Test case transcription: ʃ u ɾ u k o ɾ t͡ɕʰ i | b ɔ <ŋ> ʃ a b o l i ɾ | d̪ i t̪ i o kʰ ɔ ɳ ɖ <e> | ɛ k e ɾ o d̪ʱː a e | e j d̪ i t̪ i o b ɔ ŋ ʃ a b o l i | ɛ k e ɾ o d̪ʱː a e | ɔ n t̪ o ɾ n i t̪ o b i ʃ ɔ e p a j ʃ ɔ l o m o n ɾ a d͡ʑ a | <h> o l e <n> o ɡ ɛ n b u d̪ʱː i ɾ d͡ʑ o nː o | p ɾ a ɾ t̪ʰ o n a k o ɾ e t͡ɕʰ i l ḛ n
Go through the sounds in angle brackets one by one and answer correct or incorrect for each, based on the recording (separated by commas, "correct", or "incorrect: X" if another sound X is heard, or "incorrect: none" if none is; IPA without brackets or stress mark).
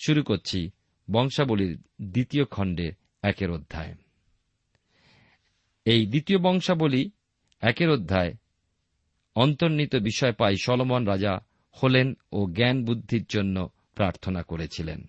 correct, correct, correct, correct